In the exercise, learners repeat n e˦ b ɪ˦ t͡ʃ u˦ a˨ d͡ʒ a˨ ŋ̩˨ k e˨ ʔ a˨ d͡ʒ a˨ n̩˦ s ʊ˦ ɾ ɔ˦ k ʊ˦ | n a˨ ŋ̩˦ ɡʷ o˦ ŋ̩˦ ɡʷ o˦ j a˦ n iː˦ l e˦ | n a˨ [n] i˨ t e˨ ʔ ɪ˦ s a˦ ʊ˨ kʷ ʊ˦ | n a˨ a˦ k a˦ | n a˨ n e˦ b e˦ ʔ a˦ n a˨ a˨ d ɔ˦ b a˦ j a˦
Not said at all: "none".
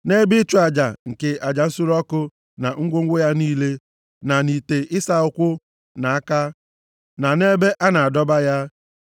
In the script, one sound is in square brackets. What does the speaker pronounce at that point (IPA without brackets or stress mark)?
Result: n